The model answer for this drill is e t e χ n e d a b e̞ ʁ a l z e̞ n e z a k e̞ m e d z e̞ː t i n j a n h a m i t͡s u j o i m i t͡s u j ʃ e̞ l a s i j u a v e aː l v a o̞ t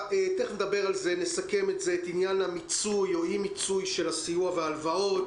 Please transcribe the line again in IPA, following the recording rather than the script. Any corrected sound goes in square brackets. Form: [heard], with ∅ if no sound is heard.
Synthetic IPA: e t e χ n e d a b e̞ ʁ a l z e̞ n e [s] a k e̞ m e [t] z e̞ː t i n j a n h a m i t͡s u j o i m i t͡s u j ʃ e̞ l a s i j u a v e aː l v a o̞ t